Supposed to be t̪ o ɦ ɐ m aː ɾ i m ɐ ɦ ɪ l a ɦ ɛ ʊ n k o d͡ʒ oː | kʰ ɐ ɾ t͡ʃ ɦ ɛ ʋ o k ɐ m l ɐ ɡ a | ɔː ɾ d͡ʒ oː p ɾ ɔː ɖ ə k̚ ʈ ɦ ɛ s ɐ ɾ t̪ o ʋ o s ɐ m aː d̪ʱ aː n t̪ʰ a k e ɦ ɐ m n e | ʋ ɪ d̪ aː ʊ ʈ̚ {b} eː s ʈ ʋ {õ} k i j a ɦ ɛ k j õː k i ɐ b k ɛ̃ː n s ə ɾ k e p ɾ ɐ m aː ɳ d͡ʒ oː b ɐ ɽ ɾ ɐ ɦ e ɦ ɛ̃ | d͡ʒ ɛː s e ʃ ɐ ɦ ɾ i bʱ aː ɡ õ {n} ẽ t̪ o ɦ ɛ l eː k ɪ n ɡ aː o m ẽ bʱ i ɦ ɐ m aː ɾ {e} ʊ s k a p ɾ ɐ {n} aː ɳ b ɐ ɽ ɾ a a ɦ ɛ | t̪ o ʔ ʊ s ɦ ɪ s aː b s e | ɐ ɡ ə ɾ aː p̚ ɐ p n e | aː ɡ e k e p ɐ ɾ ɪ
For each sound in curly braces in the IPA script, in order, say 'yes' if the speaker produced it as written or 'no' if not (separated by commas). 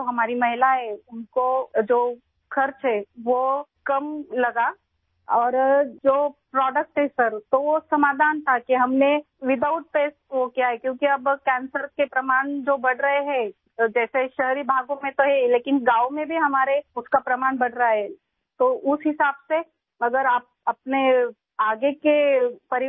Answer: no, no, no, yes, no